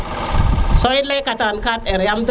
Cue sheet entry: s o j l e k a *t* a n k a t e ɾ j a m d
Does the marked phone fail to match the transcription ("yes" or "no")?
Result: no